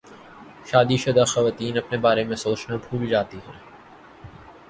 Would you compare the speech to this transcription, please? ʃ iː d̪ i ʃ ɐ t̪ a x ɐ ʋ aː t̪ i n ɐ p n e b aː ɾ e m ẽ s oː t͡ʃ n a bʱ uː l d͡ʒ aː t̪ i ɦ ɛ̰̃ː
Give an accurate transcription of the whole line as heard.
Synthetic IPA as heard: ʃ aː d̪ i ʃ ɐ d̪ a x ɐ ʋ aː t̪ iː n ɐ p n e b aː ɾ e m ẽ s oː t͡ʃ n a bʱ uː l d͡ʒ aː t̪ i ɦ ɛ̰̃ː